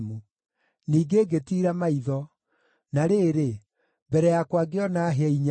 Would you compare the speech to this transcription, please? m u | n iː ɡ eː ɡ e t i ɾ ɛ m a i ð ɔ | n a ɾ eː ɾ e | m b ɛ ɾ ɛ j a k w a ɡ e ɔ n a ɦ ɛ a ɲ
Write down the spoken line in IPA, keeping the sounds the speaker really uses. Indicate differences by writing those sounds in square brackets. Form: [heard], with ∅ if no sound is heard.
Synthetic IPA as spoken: m u | n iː ɡ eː ɡ e t i ɾ [a] m a i ð ɔ | n a ɾ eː ɾ e | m b ɛ ɾ ɛ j a k w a ɡ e ɔ n a ɦ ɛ [i] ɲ